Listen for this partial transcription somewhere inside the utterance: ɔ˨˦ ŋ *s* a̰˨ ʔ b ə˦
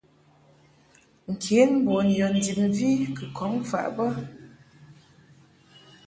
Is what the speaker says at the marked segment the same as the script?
no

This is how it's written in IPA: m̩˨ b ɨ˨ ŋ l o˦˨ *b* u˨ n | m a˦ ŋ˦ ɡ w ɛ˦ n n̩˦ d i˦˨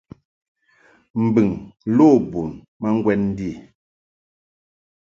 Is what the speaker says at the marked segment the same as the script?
yes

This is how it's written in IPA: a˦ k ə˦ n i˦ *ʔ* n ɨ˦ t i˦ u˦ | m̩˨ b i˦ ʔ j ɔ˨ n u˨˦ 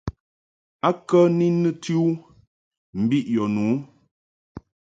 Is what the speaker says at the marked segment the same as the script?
no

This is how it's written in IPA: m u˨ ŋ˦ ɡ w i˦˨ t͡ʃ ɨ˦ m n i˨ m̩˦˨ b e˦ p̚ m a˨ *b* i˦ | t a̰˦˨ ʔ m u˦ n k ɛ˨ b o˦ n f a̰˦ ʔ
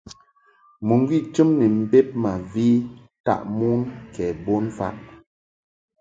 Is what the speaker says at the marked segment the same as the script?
no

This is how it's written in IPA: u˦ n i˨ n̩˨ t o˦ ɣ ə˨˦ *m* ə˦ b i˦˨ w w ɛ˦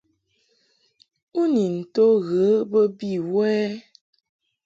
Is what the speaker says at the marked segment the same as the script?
no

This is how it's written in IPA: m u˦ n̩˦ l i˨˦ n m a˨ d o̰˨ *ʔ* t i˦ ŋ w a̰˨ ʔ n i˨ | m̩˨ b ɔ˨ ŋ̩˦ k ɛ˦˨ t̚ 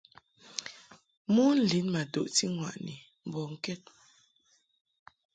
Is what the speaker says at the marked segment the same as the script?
yes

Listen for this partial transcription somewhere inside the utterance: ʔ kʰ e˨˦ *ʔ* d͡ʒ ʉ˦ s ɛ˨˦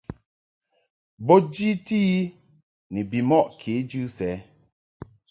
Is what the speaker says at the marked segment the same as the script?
no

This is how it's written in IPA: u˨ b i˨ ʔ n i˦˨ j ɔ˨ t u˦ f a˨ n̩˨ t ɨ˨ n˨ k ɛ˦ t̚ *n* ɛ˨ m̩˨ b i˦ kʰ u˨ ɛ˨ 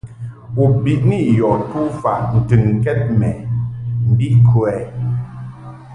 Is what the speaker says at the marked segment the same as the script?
no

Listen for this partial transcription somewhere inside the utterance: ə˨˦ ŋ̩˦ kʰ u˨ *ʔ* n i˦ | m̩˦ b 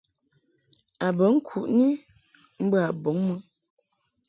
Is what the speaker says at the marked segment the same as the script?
yes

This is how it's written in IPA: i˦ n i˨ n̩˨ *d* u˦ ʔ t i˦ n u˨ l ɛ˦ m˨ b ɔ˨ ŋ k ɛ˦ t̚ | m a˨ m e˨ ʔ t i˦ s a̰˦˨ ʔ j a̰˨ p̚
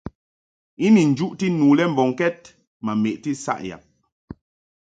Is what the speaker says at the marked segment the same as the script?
no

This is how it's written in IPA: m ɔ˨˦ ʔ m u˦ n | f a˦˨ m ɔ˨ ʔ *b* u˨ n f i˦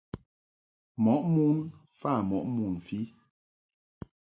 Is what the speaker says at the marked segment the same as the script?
no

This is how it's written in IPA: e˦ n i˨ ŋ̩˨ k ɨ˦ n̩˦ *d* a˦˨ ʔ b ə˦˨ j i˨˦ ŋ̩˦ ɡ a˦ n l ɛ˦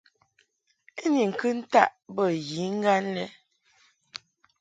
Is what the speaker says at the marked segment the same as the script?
no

